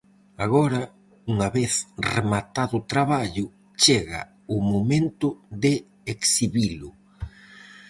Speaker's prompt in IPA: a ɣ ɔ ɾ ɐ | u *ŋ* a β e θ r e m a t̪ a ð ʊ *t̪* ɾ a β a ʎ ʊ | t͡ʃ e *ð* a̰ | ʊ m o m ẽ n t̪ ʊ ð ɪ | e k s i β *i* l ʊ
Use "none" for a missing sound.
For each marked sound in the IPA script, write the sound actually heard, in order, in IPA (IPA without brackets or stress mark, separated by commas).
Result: ŋ, t̪, ɣ, i